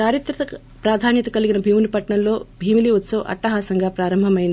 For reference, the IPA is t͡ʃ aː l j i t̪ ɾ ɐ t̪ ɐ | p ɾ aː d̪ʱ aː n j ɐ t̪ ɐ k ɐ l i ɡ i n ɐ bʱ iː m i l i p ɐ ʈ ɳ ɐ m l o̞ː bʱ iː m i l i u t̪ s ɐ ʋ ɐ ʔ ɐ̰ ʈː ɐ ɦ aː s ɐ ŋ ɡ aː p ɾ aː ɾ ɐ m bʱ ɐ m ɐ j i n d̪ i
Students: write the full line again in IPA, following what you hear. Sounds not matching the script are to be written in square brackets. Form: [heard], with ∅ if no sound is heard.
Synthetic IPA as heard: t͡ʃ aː [ɾ] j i t̪ ɾ ɐ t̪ ɐ | p ɾ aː d̪ʱ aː n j ɐ t̪ ɐ k ɐ l i ɡ i n ɐ bʱ iː m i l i p ɐ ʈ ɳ ɐ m l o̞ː bʱ iː m i l i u t̪ s ɐ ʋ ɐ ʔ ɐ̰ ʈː ɐ ɦ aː s ɐ ŋ ɡ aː p ɾ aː ɾ ɐ m bʱ ɐ m ɐ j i n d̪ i